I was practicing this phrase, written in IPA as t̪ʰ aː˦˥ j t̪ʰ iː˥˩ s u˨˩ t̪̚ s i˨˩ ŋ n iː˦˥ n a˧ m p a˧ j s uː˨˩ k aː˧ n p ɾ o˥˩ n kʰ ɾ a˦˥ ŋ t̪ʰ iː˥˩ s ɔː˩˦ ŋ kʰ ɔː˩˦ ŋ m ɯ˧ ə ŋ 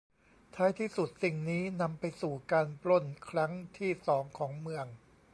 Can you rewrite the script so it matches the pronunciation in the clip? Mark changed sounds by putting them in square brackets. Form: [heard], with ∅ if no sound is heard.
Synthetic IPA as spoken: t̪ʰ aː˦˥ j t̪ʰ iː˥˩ s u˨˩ t̪̚ s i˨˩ ŋ n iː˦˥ n a˧ m p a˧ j s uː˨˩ k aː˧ n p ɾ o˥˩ n kʰ ɾ a˦˥ ŋ t̪ʰ iː˥˩ s ɔː˩˦ ŋ kʰ ɔː˩˦ ŋ m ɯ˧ ə ŋ

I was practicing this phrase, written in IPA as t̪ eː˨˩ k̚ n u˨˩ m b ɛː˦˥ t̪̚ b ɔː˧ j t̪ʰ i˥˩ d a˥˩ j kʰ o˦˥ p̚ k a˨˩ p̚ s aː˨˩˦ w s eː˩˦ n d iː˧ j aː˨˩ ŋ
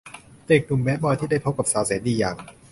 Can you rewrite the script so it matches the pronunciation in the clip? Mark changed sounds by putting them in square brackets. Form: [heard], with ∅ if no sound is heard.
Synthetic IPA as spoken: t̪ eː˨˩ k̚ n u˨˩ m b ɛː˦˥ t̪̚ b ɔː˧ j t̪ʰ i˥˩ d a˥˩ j [pʰ] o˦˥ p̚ k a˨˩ p̚ s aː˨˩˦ w s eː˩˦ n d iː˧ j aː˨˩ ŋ

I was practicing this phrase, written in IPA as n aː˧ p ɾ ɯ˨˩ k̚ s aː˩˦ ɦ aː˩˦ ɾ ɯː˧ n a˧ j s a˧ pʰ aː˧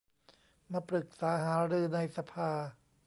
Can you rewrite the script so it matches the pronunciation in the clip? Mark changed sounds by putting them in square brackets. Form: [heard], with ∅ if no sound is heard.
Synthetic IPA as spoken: [m] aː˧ p ɾ ɯ˨˩ k̚ s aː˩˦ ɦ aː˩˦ ɾ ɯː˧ n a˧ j s a˧ pʰ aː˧

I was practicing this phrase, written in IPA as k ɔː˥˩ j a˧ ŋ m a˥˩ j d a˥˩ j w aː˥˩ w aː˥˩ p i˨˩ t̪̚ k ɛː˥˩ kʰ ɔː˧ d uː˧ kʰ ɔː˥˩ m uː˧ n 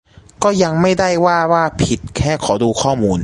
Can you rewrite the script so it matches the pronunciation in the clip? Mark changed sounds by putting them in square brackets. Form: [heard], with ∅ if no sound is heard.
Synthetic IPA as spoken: k ɔː˥˩ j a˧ ŋ m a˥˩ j d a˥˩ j w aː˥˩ w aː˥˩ [pʰ] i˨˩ t̪̚ [kʰ] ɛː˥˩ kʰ [ɔː˩˦] d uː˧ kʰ ɔː˥˩ m uː˧ n

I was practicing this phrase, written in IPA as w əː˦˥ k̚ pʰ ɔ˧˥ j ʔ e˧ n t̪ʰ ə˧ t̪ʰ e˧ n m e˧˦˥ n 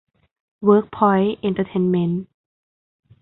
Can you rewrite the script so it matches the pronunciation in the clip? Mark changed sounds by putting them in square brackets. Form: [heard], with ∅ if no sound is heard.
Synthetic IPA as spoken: w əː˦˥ k̚ pʰ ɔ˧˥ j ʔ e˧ n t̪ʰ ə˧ t̪ʰ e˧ n m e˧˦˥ n

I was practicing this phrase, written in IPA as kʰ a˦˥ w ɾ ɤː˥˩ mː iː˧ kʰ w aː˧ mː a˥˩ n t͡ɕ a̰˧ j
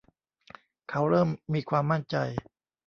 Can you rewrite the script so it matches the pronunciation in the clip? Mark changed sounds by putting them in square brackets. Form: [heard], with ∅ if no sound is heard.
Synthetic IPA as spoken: kʰ a˦˥ w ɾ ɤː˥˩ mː iː˧ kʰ w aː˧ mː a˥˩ n t͡ɕ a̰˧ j

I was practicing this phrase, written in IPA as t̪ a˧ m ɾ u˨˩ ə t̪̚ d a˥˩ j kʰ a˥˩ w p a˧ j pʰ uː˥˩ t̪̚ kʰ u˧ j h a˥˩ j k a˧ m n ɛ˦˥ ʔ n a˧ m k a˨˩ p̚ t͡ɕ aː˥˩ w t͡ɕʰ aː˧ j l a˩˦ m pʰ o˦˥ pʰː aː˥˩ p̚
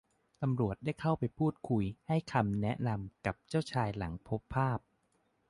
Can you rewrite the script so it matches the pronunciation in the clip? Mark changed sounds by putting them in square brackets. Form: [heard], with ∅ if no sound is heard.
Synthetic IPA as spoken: t̪ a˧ m ɾ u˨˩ ə t̪̚ d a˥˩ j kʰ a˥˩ w p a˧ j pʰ uː˥˩ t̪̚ kʰ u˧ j h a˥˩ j [kʰ] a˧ m n ɛ˦˥ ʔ n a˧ m k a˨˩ p̚ t͡ɕ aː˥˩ w t͡ɕʰ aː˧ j l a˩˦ [ŋ] pʰ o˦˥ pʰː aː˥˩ p̚

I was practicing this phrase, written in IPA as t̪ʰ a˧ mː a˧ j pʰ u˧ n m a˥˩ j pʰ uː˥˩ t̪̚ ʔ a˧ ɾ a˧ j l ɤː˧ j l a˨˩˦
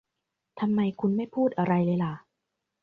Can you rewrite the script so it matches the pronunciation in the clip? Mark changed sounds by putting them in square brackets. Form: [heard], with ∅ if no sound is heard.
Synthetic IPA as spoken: t̪ʰ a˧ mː a˧ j [kʰ] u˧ n m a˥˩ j pʰ uː˥˩ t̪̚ ʔ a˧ ɾ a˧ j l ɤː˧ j l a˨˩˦

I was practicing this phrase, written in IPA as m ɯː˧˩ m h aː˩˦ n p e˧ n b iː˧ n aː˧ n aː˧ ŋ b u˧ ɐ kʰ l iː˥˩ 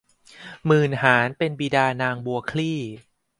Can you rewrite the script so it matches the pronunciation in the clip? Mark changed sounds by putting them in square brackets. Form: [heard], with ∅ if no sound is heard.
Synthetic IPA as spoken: m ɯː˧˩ [n] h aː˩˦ n p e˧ n b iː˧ [d] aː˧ n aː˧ ŋ b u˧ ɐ kʰ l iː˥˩

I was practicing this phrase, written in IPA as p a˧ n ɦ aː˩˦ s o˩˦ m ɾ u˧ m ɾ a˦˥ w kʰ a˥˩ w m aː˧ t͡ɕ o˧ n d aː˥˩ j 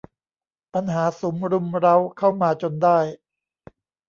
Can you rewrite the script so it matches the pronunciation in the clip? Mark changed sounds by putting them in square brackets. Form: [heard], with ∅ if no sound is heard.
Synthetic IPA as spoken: p a˧ n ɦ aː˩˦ s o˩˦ m ɾ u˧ m ɾ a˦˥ w kʰ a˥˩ w m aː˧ t͡ɕ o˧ n d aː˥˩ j

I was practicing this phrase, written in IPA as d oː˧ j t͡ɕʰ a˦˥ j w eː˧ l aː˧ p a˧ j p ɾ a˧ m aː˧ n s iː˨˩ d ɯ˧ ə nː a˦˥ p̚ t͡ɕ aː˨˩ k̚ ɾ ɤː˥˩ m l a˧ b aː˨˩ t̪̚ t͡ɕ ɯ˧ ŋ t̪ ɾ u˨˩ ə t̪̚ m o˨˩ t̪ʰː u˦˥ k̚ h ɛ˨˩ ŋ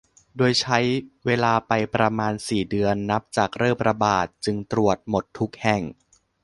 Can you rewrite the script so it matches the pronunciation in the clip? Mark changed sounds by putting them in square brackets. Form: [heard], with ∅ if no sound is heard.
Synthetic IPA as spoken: d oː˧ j t͡ɕʰ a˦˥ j w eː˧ l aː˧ p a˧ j p ɾ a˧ m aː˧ n s iː˨˩ d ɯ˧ ə nː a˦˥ p̚ t͡ɕ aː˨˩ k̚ ɾ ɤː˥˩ m [ɾ] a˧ b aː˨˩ t̪̚ t͡ɕ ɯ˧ ŋ t̪ ɾ u˨˩ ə t̪̚ m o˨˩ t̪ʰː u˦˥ k̚ h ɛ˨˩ ŋ

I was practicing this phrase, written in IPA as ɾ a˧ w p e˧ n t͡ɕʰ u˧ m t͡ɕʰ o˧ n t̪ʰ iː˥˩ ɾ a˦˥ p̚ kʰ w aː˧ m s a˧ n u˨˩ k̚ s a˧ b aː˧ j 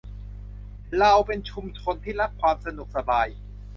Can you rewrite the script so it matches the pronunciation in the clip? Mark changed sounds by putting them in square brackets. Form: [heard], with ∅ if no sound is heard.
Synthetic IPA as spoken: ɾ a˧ w p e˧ n t͡ɕʰ u˧ m t͡ɕʰ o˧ n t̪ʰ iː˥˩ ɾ a˦˥ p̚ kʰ w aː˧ m s a˧ n u˨˩ k̚ s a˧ b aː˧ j

